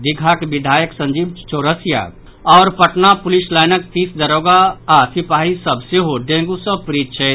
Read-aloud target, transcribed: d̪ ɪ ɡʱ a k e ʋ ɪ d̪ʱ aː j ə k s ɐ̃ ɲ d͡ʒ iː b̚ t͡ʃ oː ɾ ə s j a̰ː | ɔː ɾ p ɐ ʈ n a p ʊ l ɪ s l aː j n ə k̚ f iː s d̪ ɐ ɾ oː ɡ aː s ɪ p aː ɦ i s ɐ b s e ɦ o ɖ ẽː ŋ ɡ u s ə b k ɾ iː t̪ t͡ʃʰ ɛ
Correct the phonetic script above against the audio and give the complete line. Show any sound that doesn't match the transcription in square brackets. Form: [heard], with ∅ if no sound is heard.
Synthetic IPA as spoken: d̪ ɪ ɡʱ a k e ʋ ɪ d̪ʱ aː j ə k s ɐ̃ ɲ d͡ʒ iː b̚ t͡ʃ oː ɾ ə s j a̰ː | ɔː ɾ p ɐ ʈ n a p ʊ l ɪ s l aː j n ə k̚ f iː s d̪ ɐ ɾ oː ɡ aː s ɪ p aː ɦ i s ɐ b s e ɦ o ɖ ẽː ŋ ɡ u s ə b [p] ɾ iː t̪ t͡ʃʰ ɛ